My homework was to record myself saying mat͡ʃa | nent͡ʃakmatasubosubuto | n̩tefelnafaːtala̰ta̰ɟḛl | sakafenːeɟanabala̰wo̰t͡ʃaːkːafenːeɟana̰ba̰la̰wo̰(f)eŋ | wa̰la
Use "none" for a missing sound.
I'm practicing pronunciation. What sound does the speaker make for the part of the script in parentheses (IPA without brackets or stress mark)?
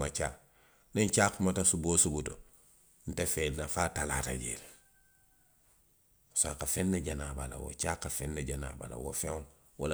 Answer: f